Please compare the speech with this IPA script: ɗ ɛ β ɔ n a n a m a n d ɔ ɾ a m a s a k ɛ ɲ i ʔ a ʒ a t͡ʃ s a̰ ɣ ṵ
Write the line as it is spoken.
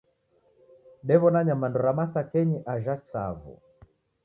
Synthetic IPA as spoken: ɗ ɛ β ɔ n a ɲ a m a n d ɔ ɾ a m a s a k ɛ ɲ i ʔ a ʒ a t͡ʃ s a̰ v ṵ